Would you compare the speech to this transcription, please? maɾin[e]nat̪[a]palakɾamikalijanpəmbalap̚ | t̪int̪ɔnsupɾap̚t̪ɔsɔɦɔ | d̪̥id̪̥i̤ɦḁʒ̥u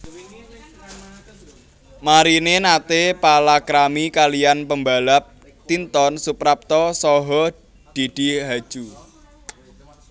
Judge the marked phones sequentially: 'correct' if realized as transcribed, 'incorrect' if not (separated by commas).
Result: correct, incorrect